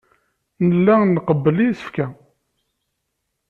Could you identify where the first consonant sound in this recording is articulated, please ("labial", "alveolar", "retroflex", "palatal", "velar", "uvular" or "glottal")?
alveolar